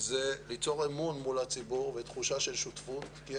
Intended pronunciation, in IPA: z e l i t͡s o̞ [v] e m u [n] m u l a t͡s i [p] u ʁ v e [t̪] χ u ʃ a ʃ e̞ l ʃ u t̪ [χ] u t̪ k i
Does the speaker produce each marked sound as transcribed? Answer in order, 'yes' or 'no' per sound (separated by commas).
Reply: no, yes, no, yes, no